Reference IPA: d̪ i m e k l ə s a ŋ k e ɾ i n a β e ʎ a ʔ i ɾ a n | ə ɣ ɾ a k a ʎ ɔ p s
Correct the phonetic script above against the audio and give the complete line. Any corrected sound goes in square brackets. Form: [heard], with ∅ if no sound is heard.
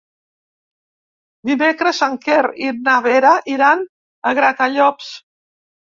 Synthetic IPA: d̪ i m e k [ɾ] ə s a ŋ k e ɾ i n a β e [ɾ] a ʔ i ɾ a n | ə ɣ ɾ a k a ʎ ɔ p s